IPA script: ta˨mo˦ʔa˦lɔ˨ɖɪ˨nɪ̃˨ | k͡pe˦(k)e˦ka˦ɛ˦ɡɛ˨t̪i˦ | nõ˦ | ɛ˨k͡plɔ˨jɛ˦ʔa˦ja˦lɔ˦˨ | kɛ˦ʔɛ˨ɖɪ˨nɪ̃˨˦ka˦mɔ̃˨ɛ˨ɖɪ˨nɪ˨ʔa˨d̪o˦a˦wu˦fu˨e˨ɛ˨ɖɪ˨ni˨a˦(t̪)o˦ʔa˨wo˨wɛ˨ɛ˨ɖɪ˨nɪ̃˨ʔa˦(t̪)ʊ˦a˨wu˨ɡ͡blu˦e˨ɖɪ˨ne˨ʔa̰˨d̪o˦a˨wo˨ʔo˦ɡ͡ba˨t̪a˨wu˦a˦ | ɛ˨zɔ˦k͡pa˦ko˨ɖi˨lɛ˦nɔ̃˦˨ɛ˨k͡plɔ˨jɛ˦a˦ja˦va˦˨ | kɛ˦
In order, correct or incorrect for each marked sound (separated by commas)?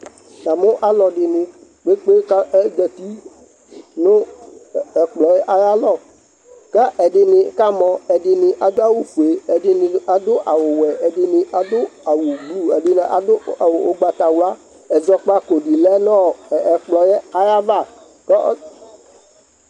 incorrect, incorrect, incorrect